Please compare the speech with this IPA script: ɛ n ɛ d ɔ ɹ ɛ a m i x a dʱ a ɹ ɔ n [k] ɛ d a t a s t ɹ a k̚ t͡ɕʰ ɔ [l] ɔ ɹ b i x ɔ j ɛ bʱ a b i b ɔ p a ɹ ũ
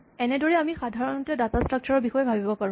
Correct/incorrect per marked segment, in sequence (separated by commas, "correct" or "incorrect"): incorrect, incorrect